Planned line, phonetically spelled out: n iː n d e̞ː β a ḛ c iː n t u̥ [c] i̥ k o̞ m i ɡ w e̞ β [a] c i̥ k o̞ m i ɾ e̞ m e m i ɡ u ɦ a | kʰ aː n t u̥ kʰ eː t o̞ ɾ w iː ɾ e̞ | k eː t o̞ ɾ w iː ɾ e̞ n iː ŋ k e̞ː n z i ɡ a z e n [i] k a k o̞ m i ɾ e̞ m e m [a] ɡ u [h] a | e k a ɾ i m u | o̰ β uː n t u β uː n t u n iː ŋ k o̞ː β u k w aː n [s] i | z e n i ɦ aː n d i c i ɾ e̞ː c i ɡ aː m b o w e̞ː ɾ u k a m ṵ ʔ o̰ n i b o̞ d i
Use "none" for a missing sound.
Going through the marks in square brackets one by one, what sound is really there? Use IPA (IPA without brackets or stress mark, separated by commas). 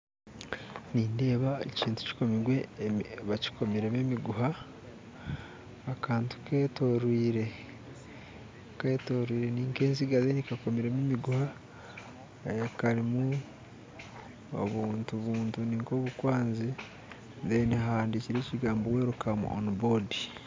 c, a, i, i, h, z